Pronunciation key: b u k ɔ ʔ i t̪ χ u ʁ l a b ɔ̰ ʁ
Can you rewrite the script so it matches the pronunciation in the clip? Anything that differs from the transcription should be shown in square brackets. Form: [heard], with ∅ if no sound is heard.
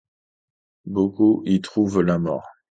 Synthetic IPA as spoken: b [o] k [u] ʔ i t̪ χ u [v] l a [m] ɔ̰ ʁ